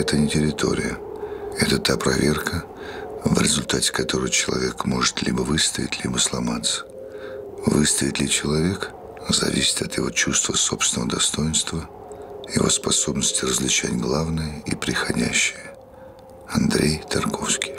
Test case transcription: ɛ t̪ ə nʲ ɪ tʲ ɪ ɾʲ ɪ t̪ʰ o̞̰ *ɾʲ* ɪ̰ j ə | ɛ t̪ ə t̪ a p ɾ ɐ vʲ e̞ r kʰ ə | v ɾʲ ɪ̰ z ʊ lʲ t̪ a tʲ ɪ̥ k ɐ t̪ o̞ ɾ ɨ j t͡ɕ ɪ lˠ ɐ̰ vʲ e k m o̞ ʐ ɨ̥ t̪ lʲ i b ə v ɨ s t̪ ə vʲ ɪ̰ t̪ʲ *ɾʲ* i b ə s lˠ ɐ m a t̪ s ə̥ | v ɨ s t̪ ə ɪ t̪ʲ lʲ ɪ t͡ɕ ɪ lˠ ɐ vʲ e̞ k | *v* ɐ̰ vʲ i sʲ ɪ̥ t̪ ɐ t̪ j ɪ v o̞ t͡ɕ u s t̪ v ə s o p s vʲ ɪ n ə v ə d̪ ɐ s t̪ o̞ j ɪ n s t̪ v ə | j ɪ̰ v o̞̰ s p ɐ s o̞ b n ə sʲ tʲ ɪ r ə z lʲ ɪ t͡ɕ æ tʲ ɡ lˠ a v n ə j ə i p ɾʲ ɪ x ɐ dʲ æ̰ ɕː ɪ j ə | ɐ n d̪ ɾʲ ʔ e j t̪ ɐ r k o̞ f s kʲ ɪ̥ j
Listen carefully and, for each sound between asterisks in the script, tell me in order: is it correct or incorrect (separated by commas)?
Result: correct, incorrect, incorrect